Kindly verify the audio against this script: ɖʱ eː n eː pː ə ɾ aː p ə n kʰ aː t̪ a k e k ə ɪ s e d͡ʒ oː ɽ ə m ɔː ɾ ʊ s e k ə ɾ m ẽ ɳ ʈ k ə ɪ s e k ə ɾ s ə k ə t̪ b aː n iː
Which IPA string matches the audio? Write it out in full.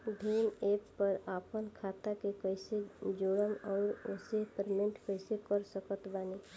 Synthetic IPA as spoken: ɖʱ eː n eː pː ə ɾ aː p ə n kʰ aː t̪ a k e k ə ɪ s e d͡ʒ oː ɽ ə m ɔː ɾ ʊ s e p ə ɾ m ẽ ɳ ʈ k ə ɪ s e k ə ɾ s ə k ə t̪ b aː n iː